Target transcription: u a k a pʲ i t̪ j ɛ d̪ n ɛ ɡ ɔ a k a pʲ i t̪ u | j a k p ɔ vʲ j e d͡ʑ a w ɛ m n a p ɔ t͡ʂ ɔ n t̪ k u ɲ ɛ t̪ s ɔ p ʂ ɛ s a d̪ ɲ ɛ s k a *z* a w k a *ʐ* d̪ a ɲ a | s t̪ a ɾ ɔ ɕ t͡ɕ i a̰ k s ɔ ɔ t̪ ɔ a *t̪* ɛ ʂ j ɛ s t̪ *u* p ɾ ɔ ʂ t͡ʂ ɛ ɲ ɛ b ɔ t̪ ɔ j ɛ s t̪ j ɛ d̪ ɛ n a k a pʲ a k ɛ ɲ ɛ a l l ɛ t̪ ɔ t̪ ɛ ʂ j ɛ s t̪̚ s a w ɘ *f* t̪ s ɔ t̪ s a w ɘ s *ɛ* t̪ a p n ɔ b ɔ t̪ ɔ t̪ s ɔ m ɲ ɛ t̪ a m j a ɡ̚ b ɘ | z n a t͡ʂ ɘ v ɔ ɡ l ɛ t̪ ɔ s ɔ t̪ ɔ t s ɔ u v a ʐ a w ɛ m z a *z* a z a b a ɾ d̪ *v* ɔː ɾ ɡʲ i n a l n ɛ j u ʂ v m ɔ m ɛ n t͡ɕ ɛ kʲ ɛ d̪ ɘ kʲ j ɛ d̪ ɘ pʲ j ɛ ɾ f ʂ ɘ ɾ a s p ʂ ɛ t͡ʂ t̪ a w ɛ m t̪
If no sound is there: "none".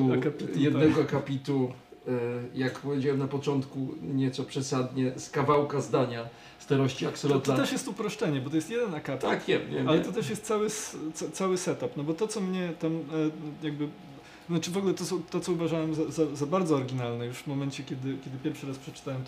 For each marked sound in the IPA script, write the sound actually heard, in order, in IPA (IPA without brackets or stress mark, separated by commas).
v, z, t̪, u, s, ɛ, z, z